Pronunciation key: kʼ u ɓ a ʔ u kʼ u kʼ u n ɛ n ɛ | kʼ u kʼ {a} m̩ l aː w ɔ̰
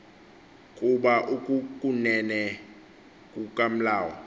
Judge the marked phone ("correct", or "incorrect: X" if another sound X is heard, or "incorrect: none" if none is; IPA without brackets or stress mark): correct